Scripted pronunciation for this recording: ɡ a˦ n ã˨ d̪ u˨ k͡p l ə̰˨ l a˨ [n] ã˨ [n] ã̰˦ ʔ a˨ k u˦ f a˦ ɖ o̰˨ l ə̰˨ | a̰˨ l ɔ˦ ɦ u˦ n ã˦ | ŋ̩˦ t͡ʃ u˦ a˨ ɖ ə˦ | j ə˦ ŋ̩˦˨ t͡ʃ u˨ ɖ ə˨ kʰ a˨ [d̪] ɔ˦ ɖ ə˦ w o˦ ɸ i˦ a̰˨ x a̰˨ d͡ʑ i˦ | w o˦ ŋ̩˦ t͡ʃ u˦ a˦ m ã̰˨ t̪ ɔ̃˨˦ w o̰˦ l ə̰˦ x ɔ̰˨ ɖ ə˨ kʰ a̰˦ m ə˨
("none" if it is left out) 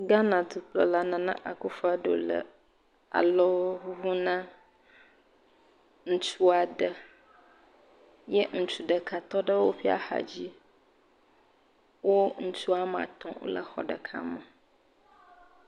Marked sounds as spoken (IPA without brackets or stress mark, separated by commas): n, n, t̪